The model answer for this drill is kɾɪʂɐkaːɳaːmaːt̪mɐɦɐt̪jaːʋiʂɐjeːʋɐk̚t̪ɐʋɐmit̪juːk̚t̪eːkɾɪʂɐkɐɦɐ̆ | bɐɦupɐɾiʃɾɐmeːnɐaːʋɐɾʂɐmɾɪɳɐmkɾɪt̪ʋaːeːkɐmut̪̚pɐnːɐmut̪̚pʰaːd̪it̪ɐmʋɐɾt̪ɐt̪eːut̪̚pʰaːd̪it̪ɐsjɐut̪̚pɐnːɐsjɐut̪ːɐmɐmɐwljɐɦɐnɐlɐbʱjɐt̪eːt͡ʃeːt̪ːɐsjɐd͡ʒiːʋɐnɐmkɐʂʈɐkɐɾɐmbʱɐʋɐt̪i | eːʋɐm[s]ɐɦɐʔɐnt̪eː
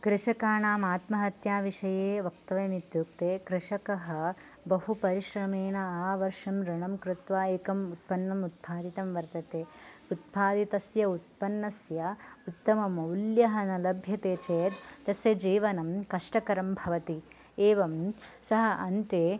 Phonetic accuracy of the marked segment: correct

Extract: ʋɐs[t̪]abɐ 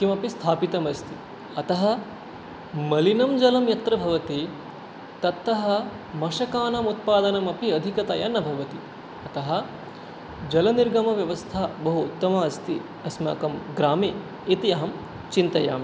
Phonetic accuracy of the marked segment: incorrect: t̪ʰ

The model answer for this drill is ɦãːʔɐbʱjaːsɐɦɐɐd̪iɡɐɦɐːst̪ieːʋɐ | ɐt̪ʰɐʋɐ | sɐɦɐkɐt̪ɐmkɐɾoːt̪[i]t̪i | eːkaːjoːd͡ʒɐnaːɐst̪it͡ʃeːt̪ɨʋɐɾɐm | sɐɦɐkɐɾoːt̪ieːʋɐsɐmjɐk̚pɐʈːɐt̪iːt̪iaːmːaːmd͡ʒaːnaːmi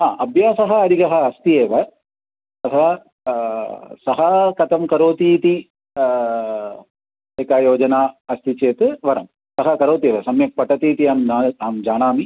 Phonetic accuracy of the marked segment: incorrect: iː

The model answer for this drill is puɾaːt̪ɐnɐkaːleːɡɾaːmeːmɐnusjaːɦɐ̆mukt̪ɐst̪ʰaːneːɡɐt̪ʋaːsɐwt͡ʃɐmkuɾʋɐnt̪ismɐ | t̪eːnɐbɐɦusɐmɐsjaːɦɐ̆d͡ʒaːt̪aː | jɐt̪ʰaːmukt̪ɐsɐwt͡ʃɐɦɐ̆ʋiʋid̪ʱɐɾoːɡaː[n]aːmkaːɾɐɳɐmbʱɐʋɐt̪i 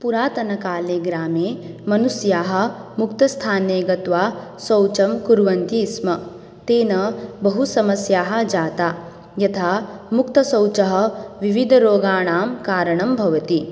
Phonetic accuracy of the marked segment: incorrect: ɳ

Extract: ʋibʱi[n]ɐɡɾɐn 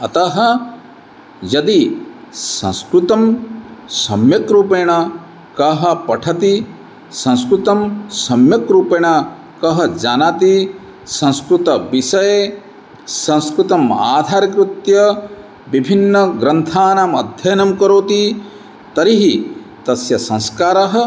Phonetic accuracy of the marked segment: incorrect: nː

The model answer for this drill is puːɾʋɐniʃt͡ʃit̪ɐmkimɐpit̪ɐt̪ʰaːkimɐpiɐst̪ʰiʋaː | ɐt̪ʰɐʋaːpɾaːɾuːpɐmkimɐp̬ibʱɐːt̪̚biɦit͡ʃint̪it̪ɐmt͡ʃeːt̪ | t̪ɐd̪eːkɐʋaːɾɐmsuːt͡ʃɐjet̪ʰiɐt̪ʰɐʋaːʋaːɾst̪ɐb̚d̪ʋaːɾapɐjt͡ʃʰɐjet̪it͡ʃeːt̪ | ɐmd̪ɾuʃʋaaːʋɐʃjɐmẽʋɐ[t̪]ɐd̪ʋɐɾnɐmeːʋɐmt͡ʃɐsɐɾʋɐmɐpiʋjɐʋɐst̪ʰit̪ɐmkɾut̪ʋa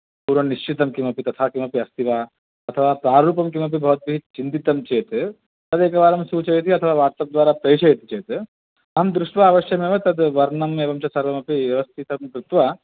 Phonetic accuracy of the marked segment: correct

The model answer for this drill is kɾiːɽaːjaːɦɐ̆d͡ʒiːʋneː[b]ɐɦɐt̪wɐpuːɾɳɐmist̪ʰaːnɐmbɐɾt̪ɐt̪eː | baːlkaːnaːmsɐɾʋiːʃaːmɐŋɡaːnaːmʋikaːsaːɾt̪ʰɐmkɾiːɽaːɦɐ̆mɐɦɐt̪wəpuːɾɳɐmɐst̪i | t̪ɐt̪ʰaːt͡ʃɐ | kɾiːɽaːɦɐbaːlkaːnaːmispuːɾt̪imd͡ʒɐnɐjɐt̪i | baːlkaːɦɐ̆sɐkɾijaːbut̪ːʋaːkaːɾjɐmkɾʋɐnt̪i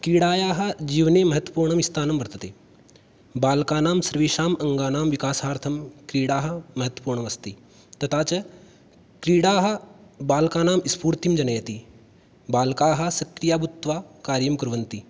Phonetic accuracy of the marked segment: incorrect: m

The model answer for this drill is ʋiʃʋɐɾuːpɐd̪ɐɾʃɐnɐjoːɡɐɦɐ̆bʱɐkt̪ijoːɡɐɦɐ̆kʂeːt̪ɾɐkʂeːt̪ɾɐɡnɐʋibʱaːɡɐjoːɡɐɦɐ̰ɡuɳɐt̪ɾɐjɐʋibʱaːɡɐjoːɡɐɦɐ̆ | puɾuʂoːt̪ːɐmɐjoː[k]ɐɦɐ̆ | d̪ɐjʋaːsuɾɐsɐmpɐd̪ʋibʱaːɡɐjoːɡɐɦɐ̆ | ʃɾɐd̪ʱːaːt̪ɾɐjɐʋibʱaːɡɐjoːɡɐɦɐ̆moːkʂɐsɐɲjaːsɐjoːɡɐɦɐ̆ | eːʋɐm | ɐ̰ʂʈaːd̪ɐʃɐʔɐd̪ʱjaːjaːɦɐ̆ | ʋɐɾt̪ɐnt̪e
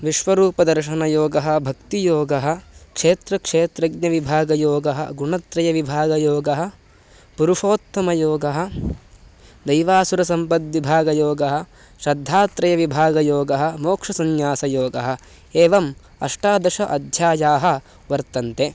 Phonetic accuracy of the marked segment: incorrect: ɡ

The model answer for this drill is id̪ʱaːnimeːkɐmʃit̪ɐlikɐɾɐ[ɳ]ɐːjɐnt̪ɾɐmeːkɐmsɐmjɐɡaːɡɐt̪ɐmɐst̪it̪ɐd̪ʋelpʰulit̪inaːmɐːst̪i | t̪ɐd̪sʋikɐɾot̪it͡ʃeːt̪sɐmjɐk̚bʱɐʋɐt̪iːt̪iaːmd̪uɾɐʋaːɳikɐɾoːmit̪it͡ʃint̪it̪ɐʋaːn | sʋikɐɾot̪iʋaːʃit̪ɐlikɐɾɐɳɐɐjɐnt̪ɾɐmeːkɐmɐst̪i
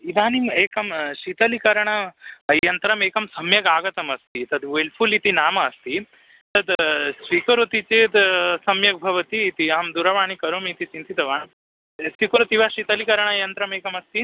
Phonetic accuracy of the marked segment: correct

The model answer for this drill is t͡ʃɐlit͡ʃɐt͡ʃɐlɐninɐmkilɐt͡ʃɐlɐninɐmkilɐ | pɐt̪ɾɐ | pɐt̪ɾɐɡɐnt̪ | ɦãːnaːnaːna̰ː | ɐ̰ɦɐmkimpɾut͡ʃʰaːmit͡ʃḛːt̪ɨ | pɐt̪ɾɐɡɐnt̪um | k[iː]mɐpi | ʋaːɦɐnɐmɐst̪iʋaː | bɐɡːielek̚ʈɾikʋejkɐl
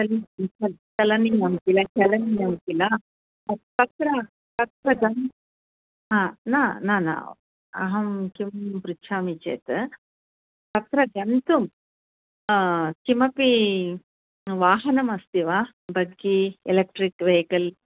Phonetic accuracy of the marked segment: incorrect: i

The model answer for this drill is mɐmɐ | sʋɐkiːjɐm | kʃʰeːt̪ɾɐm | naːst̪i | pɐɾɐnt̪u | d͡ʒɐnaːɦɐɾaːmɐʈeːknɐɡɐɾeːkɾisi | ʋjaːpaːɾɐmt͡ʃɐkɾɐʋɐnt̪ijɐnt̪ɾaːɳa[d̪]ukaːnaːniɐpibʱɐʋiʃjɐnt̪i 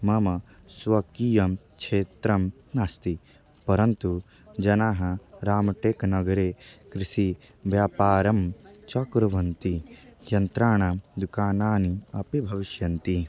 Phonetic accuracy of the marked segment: correct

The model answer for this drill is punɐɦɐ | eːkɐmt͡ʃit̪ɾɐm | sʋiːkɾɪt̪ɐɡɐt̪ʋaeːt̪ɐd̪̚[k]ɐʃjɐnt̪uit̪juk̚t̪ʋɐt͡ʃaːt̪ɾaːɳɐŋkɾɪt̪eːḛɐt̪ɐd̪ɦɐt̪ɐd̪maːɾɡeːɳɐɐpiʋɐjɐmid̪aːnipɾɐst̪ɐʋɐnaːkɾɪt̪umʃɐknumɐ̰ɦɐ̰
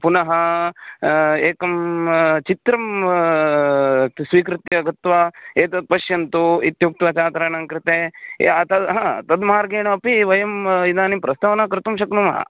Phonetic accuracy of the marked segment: incorrect: p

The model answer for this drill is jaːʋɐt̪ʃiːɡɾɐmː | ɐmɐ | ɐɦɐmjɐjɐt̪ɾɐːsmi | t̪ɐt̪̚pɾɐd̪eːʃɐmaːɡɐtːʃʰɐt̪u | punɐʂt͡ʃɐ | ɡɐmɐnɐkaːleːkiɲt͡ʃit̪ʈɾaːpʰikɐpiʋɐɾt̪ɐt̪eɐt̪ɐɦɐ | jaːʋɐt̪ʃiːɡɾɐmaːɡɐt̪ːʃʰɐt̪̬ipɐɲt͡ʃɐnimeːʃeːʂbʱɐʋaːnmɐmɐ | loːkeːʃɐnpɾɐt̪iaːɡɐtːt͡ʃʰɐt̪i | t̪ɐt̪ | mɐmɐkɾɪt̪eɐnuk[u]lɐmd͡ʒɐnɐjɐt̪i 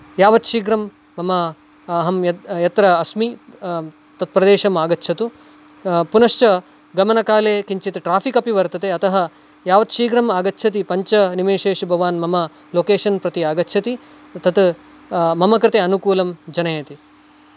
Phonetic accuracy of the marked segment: incorrect: uː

